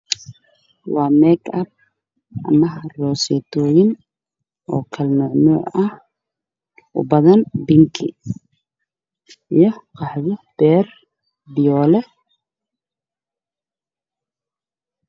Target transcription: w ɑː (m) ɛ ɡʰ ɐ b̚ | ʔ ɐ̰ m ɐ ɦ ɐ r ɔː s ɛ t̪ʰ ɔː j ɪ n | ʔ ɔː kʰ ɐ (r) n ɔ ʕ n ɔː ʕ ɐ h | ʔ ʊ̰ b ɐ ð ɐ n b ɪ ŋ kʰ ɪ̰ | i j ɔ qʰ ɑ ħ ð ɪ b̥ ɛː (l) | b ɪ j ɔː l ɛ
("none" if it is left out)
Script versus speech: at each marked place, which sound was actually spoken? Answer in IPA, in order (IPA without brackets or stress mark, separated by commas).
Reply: m, l, r